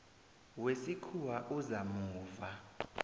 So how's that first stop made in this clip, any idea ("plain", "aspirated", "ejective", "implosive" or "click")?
aspirated